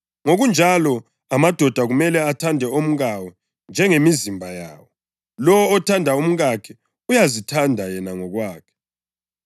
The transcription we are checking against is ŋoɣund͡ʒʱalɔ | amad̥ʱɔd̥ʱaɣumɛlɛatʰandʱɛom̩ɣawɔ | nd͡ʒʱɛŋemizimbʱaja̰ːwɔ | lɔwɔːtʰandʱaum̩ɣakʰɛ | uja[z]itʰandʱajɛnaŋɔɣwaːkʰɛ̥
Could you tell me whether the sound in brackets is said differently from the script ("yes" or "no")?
no